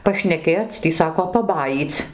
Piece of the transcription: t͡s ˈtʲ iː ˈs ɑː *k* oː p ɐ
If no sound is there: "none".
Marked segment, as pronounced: k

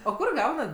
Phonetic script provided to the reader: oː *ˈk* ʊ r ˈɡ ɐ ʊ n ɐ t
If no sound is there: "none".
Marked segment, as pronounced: k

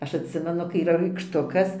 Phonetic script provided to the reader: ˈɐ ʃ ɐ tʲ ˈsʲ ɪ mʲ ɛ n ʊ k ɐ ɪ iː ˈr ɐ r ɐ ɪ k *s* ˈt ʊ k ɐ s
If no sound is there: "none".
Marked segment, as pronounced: ʃ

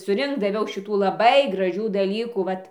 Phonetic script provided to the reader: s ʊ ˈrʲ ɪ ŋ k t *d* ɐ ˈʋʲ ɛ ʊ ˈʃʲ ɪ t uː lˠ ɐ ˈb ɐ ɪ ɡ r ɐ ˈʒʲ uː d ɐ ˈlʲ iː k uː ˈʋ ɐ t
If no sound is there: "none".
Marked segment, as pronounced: d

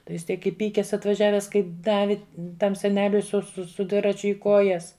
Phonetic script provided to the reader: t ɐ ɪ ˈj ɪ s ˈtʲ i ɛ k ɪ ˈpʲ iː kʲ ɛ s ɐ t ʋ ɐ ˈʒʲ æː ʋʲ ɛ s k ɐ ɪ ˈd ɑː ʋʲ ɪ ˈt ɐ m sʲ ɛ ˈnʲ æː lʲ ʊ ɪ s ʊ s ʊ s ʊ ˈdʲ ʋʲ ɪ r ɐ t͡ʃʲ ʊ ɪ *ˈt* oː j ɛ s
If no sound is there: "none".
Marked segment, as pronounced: k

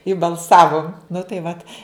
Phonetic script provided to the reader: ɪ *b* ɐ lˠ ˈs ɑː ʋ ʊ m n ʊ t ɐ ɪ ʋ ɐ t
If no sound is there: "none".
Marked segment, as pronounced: b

